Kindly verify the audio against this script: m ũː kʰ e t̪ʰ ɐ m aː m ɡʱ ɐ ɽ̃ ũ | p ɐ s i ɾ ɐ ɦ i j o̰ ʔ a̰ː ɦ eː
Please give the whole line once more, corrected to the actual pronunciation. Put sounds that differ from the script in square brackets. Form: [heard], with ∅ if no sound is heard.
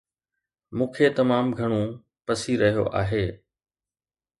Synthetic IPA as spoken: m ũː kʰ e [t̪] ɐ m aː m ɡʱ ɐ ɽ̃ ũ | p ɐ s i ɾ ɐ ɦ i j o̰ ʔ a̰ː ɦ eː